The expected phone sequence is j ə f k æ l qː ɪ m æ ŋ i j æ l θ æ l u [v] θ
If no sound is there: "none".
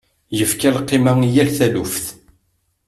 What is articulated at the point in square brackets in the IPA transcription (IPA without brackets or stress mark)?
f